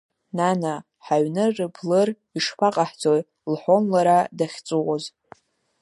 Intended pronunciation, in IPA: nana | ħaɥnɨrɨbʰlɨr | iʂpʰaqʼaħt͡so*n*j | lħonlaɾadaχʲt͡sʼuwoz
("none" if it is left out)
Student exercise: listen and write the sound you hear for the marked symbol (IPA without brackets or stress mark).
none